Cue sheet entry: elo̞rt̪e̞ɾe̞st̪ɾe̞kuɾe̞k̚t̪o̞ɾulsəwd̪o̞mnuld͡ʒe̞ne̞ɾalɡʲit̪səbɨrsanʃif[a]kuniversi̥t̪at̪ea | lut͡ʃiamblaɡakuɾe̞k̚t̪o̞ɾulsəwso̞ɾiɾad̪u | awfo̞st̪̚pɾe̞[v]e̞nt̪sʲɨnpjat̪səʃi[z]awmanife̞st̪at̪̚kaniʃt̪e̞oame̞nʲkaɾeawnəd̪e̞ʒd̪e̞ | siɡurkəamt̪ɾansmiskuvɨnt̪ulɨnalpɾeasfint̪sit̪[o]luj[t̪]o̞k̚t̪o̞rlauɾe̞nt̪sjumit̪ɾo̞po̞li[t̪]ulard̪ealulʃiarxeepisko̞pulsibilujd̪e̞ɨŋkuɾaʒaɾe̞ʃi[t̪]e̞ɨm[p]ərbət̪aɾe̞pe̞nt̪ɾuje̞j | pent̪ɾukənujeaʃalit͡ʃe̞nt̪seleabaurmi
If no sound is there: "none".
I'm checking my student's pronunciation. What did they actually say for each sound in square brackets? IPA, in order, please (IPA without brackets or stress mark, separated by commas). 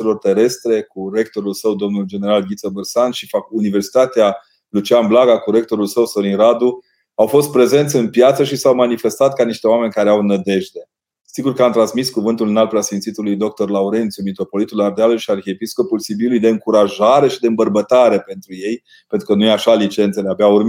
a, z, s, u, d̪, t̪, d̪, b